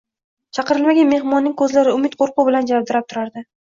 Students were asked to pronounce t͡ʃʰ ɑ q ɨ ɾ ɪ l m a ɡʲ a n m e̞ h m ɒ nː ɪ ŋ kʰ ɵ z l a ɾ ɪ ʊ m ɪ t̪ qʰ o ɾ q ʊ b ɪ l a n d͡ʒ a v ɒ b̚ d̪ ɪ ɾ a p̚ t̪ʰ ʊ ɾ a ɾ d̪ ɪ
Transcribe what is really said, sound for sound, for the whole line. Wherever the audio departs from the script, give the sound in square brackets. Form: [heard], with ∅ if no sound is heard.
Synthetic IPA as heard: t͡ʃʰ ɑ q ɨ ɾ ɪ l m a ɡʲ a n m e̞ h m ɒ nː ɪ ŋ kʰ ɵ z l a ɾ ɪ ʊ m ɪ t̪ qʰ o ɾ q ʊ b ɪ l a n d͡ʒ a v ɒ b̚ d̪ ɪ ɾ a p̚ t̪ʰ ʊ ɾ a ɾ d̪ ɪ

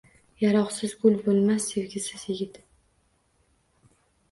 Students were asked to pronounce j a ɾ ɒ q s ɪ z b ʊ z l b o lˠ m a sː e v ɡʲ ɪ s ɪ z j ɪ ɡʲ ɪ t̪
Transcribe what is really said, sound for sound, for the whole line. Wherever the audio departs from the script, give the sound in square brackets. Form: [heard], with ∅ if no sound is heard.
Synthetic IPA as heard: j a ɾ ɒ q s ɪ z [ɡ] ʊ [∅] l b o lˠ m a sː e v ɡʲ ɪ s ɪ z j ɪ ɡʲ ɪ t̪

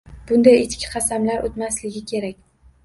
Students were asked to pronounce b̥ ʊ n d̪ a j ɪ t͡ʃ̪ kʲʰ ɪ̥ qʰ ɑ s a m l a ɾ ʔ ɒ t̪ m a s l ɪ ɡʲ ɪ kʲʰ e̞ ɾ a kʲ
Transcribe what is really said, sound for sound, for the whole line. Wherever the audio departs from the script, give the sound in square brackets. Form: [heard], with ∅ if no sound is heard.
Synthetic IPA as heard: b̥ ʊ n d̪ a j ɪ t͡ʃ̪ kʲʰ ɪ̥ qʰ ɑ s a m l a ɾ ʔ [o] t̪ m a s l ɪ ɡʲ ɪ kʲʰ e̞ ɾ a kʲ

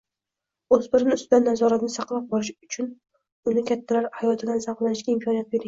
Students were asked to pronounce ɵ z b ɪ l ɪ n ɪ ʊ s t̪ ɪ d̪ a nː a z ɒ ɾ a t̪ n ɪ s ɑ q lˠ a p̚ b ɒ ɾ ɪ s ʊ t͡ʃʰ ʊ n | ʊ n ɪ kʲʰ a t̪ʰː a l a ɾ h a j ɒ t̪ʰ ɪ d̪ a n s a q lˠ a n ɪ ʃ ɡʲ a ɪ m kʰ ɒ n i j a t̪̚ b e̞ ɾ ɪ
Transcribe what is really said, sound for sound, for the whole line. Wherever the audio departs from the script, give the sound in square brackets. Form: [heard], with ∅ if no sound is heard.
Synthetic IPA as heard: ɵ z b ɪ [ɾ] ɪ n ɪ ʊ s t̪ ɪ d̪ a nː a z ɒ ɾ a t̪ n ɪ s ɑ q lˠ a p̚ b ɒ ɾ ɪ [ʃ] ʊ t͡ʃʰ ʊ n | ʊ n ɪ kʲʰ a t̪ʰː a l a ɾ h a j ɒ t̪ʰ ɪ d̪ a n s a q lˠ a n ɪ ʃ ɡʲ a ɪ m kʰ ɒ n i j a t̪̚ b e̞ ɾ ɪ

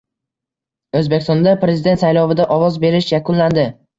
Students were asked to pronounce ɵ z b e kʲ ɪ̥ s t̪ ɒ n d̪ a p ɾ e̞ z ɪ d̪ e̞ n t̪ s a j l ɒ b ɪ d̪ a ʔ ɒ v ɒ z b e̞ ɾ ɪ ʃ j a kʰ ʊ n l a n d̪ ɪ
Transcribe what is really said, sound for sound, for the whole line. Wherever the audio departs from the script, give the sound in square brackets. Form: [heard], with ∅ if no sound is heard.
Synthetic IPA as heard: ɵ z b e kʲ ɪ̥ s t̪ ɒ n d̪ a p ɾ e̞ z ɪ d̪ e̞ n t̪ s a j l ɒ [v] ɪ d̪ a ʔ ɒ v ɒ z b e̞ ɾ ɪ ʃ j a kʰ ʊ n l a n d̪ ɪ

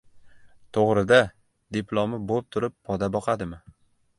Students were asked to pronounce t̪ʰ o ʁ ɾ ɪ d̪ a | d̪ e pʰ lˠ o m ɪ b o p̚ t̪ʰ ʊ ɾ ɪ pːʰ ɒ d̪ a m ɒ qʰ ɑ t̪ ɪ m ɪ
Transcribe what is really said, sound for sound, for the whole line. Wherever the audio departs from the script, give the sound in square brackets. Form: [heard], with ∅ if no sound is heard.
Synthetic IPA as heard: t̪ʰ o ʁ ɾ ɪ d̪ a | d̪ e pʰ lˠ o m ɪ b o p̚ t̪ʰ ʊ ɾ ɪ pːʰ ɒ d̪ a [b] ɒ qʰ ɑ [d̪] ɪ m ɪ

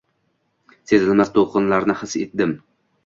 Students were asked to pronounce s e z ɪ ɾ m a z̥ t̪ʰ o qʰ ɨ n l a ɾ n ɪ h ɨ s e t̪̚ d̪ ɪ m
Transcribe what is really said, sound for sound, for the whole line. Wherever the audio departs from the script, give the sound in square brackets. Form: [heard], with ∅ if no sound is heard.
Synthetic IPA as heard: s e z ɪ [l] m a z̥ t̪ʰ o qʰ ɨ n l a ɾ n ɪ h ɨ s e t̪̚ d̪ ɪ m

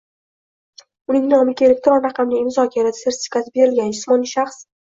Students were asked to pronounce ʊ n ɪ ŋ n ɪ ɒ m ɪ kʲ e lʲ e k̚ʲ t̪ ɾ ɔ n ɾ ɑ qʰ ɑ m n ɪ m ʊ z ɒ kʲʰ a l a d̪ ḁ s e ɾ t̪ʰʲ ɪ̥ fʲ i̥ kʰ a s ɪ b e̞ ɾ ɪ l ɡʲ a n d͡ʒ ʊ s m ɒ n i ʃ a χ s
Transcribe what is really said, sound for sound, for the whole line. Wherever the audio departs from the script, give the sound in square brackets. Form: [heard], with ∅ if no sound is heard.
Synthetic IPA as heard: ʊ n ɪ ŋ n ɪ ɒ m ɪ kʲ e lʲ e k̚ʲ t̪ ɾ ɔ n ɾ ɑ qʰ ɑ m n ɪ m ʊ z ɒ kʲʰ a [ɾ] a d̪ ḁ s e ɾ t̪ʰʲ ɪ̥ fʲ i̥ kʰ a s ɪ b e̞ ɾ ɪ l ɡʲ a n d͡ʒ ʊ s m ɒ n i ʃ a χ s

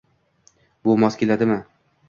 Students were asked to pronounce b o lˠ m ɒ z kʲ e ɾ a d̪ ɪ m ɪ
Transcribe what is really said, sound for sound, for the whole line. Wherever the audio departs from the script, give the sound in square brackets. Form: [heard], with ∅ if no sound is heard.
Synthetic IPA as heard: b o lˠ m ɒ [s] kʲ e [l] a d̪ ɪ m ɪ

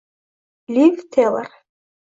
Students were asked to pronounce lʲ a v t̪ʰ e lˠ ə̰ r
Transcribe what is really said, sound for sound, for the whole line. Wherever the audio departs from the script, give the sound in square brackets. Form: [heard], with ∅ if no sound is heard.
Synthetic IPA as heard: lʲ [i] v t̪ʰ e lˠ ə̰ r

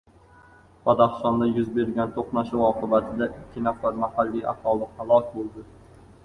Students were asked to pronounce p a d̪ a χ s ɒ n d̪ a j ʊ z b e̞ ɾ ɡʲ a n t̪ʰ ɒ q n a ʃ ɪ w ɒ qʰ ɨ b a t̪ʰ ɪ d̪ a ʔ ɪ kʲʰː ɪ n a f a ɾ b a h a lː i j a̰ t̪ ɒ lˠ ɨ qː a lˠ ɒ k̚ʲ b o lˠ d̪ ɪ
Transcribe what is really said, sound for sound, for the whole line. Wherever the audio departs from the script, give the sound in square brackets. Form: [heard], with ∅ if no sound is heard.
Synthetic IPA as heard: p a d̪ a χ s ɒ n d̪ a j ʊ z b e̞ ɾ ɡʲ a n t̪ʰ [o] q n a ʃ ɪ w ɒ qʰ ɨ b a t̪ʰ ɪ d̪ a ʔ ɪ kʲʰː ɪ n a f a ɾ [m] a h a lː i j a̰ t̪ ɒ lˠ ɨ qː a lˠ ɒ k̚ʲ b o lˠ d̪ ɪ

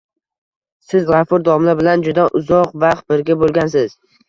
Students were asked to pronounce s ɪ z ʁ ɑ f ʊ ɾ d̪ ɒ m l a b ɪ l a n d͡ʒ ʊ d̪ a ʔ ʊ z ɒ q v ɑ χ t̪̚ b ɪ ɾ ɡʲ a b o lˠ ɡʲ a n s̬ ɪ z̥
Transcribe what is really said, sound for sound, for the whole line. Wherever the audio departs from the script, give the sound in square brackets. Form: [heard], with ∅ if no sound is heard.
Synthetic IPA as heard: s ɪ z ʁ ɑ f ʊ ɾ d̪ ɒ m l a b ɪ l a n d͡ʒ ʊ d̪ a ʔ ʊ z ɒ q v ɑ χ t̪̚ b ɪ ɾ ɡʲ a b o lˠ ɡʲ a n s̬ ɪ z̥

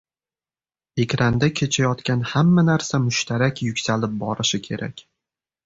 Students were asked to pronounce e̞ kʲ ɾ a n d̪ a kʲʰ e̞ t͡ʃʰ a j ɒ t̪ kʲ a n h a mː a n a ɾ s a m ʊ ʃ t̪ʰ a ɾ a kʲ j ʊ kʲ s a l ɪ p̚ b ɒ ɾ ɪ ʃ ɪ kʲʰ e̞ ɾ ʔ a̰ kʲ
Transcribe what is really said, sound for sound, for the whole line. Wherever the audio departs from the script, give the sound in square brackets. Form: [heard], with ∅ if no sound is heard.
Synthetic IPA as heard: e̞ kʲ ɾ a n d̪ a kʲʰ e̞ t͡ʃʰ a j ɒ t̪ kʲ a n h a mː a n a ɾ s a m ʊ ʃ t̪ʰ a ɾ a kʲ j ʊ kʲ s a l ɪ p̚ b ɒ ɾ ɪ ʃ ɪ kʲʰ e̞ ɾ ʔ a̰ kʲ

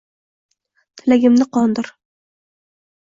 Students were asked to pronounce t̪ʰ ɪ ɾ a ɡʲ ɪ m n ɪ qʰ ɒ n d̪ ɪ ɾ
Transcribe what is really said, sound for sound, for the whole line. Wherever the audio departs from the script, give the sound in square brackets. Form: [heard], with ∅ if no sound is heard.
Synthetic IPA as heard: t̪ʰ ɪ [l] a ɡʲ ɪ m n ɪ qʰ ɒ n d̪ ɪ ɾ

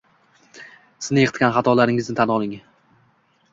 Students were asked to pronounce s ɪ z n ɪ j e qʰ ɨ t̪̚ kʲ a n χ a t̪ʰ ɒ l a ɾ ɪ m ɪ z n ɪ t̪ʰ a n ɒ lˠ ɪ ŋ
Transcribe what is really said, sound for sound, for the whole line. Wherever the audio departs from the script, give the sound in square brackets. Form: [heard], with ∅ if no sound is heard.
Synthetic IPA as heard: s ɪ z n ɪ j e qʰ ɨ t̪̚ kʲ a n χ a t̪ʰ ɒ l a ɾ ɪ [ŋ] ɪ z n ɪ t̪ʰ a n ɒ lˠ ɪ ŋ

